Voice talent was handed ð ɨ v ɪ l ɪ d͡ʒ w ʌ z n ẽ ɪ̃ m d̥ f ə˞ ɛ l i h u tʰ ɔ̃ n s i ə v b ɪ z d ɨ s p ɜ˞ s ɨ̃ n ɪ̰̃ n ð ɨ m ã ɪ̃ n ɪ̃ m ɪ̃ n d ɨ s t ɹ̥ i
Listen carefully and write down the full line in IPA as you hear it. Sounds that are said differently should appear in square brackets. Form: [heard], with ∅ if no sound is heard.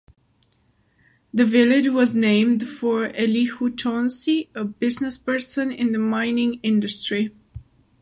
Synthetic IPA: ð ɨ v ɪ l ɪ d͡ʒ w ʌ z n ẽ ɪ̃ m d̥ f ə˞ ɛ l i h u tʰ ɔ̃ n s i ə [∅] b ɪ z [n] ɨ s p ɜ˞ s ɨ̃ n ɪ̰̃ n ð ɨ m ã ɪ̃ n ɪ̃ [ŋ] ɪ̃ n d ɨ s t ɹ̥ i